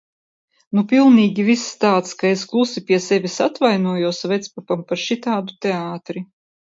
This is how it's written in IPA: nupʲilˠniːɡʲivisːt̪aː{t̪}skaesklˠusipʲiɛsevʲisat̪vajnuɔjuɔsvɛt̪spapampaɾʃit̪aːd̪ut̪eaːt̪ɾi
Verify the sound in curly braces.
correct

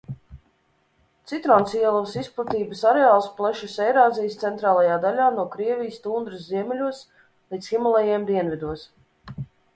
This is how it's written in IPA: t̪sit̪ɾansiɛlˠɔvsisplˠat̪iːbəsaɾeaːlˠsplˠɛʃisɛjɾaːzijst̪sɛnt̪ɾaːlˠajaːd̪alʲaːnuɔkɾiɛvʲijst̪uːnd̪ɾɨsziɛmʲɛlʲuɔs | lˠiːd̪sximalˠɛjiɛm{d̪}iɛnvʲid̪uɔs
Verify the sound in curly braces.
correct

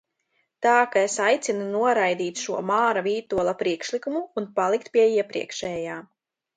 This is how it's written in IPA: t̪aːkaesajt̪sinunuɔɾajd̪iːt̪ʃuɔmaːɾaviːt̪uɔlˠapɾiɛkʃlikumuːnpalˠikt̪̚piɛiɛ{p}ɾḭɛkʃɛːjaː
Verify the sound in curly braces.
correct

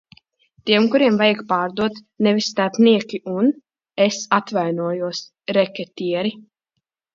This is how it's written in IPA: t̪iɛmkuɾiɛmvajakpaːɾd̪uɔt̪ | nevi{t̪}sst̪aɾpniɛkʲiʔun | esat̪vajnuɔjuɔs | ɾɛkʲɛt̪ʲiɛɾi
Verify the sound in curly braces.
incorrect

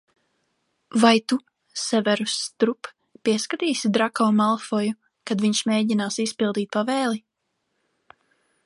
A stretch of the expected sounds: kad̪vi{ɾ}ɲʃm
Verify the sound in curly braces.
incorrect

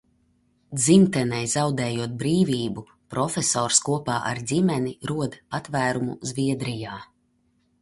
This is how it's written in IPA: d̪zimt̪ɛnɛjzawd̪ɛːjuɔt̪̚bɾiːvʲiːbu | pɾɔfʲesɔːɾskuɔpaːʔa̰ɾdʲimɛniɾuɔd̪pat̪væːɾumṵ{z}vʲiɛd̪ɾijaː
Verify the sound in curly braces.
correct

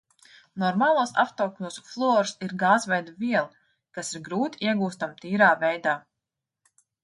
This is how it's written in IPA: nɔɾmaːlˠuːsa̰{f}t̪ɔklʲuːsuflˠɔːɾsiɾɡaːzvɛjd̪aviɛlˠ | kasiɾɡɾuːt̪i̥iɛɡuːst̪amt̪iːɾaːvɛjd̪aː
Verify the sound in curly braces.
correct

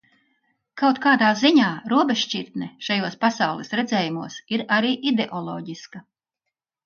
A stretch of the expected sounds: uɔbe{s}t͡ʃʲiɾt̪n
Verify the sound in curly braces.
incorrect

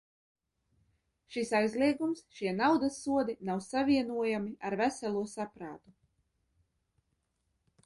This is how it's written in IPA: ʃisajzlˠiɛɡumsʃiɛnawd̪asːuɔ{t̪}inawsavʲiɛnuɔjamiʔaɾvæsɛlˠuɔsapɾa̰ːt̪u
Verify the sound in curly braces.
incorrect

